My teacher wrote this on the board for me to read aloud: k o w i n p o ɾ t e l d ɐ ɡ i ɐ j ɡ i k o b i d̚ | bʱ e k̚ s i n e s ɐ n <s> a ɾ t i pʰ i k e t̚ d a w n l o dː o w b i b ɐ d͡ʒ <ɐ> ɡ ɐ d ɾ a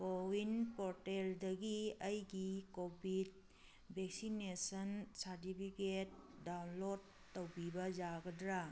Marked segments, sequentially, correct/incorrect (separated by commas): correct, incorrect